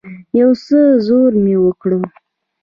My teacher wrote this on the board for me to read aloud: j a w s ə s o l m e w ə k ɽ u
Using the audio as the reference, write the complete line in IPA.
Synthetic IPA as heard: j a w s ə z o ɾ m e w ə k ɽ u